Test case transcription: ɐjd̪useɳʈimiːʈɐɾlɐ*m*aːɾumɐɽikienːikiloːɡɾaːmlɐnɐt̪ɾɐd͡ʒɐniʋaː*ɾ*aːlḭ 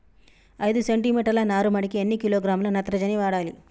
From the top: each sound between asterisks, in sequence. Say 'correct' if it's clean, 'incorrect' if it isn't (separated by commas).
incorrect, incorrect